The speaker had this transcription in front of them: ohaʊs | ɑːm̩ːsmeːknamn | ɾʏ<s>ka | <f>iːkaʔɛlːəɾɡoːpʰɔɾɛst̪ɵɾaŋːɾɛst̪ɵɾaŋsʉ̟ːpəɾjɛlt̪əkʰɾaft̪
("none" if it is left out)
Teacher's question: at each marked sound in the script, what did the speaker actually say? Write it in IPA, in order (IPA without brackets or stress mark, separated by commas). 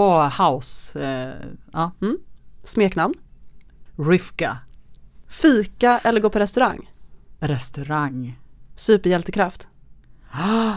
f, f